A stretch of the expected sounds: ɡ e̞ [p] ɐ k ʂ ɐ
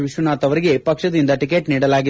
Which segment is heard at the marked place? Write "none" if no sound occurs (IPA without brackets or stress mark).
p